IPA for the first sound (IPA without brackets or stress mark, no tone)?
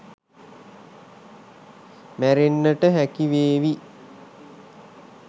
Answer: m